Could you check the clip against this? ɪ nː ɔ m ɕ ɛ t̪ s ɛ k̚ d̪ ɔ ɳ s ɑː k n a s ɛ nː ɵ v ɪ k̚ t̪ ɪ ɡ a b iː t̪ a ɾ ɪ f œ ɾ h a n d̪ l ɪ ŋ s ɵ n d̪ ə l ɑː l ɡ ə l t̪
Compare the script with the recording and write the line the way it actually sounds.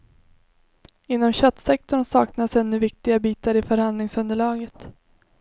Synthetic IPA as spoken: ɪ nː ɔ m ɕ œ t̪ s ɛ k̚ t̪ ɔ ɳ s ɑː k n a s ɛ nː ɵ v ɪ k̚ t̪ ɪ ɡ a b iː t̪ a ɾ ɪ f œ ɾ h a n d̪ l ɪ ŋ s ɵ n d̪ ə ɭ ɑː ɡ ə t̪